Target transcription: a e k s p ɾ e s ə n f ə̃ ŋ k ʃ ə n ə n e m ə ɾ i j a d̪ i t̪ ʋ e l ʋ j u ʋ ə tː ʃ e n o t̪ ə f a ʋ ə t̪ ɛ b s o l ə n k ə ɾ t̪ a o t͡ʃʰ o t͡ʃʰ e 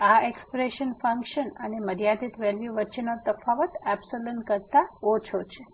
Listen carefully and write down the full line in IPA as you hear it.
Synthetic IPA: a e k s p ɾ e ʃ ə n f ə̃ ŋ k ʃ ə n ə n e m ə ɾ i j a d̪ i t̪ ʋ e l ʋ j u ʋ ə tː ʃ e n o t̪ ə f a ʋ ə t̪ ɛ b s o l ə n k ə ɾ t̪ a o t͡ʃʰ o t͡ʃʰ e